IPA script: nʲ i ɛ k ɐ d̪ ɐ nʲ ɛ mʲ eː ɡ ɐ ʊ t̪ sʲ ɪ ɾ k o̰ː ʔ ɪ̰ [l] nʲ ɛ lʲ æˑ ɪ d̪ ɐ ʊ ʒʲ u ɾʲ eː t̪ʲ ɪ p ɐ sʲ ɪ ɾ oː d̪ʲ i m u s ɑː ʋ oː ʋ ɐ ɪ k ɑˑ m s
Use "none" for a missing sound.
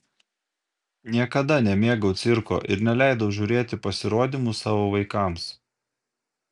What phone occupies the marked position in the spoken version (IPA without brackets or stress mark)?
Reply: ɾ